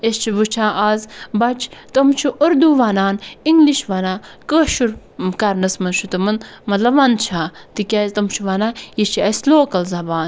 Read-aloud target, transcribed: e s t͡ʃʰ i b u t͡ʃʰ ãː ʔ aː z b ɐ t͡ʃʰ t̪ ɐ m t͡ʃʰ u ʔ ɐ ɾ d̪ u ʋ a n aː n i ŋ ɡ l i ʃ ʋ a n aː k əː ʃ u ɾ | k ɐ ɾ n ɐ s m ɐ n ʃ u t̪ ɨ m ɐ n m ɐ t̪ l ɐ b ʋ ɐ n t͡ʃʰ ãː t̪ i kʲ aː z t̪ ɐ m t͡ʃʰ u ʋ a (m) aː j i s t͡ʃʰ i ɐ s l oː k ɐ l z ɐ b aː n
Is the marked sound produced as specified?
no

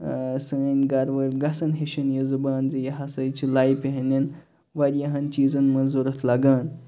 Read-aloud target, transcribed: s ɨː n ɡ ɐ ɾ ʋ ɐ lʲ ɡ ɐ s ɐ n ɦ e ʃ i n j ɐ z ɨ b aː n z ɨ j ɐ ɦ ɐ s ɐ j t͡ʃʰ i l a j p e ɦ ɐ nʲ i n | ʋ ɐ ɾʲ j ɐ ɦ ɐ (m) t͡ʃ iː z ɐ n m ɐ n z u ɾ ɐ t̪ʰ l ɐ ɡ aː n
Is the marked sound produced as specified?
no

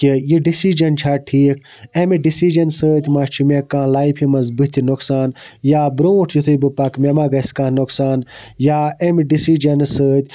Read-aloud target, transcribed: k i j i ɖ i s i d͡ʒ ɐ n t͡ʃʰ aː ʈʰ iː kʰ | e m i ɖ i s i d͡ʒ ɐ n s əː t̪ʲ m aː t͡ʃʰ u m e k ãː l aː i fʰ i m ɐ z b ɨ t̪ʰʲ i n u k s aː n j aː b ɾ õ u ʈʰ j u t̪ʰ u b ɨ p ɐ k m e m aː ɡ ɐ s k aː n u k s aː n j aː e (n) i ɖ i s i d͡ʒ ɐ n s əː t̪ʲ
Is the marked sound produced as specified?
no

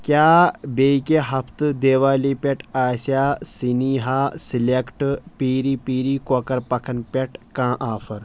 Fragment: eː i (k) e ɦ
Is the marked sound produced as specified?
yes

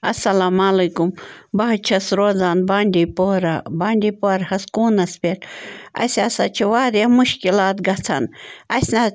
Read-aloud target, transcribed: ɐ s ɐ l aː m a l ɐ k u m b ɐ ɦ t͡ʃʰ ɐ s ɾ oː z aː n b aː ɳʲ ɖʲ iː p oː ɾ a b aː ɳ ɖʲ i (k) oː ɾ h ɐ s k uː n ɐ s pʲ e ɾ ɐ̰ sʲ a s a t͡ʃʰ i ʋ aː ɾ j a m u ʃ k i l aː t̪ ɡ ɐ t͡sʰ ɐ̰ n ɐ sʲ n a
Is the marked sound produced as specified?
no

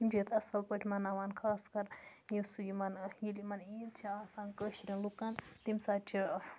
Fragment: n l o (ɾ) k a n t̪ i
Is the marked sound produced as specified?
no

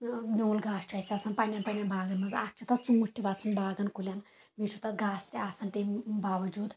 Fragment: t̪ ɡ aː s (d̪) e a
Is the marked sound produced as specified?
no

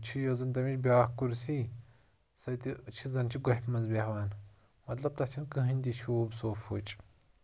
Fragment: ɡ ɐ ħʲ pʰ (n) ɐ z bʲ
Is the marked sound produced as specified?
no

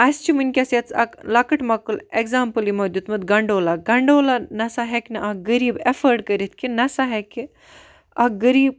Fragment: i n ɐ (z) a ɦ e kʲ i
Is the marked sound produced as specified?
no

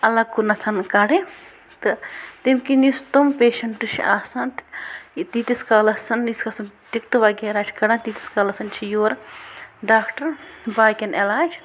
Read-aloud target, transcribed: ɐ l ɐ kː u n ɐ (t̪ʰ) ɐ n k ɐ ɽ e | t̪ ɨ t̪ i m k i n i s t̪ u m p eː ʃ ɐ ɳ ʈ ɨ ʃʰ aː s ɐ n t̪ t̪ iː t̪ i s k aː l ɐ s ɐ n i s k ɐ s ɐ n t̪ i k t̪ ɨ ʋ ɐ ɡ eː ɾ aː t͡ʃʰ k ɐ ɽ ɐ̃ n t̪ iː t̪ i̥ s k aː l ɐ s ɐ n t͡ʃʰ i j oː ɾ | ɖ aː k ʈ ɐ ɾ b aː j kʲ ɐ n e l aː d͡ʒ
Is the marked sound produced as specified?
yes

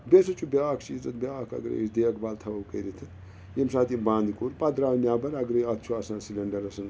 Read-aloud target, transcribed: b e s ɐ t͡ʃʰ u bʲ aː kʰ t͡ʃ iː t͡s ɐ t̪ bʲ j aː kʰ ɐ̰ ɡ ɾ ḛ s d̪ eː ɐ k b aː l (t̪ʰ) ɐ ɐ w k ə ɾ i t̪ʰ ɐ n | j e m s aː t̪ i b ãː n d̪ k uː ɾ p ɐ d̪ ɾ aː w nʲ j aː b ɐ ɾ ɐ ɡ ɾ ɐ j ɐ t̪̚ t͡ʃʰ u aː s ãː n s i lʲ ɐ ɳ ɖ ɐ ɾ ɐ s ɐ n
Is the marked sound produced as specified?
yes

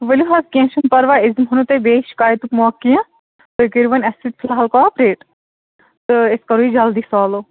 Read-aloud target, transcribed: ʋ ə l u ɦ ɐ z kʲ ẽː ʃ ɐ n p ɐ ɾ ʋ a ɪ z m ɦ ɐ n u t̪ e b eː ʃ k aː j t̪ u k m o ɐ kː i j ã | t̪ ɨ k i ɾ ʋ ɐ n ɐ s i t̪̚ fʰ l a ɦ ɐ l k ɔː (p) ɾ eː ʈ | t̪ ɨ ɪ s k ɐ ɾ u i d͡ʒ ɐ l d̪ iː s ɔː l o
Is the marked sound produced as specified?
yes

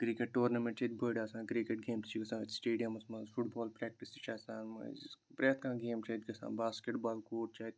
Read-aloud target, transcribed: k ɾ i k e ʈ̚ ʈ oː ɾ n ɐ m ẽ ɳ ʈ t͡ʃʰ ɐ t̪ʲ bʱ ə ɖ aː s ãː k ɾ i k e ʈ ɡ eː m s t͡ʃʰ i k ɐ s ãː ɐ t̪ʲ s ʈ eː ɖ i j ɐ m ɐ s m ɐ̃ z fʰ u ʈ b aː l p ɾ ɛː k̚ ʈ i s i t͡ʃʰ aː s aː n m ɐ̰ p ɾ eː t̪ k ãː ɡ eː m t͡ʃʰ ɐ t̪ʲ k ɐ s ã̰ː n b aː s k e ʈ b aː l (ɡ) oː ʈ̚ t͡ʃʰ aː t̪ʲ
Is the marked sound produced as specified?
no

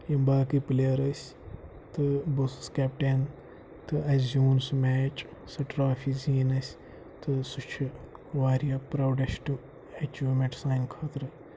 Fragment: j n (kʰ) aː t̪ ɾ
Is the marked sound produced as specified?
yes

